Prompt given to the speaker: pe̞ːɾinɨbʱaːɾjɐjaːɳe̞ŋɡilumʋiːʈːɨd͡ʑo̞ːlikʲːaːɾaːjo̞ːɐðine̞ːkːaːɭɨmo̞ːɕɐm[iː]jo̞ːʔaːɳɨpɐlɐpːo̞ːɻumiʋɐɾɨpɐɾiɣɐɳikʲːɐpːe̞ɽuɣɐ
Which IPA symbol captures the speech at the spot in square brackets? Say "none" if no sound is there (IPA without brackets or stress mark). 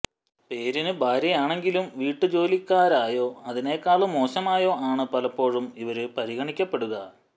aː